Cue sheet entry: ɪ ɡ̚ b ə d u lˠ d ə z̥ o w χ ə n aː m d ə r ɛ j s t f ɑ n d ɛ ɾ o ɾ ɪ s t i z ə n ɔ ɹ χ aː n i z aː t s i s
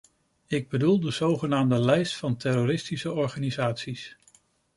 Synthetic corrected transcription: ɪ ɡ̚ b ə d u lˠ d ə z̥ o w χ ə n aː m d ə l ɛ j s t f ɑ n t ɛ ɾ o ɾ ɪ s t i s ə ɔ ɹ χ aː n i z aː t s i s